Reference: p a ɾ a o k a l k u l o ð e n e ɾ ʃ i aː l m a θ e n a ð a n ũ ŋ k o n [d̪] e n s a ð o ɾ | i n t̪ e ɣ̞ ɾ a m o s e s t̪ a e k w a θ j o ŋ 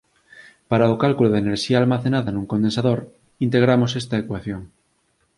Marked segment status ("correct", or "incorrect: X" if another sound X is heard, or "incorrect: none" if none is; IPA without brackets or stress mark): correct